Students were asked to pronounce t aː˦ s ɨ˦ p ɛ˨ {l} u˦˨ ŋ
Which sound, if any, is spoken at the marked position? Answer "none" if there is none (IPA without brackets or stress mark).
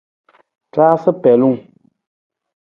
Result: l